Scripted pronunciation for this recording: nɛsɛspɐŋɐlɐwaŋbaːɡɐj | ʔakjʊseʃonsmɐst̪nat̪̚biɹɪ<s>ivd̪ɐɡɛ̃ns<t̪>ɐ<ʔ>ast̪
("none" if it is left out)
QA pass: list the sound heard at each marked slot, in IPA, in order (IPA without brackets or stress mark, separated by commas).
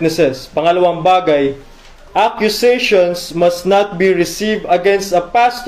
s, t̪, p